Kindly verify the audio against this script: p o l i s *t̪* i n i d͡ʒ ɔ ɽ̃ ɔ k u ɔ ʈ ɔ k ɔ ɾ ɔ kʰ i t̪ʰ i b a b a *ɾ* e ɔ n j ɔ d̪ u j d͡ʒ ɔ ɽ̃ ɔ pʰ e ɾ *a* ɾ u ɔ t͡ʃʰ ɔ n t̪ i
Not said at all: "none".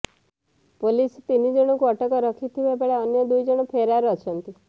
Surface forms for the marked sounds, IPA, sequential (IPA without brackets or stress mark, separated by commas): t̪, ɭ, a